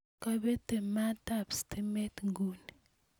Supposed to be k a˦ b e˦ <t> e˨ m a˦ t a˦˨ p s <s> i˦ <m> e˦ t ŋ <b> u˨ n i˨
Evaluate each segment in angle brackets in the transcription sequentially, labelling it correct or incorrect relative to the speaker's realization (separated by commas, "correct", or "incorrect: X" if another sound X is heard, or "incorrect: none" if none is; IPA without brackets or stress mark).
correct, incorrect: t, correct, incorrect: ɡ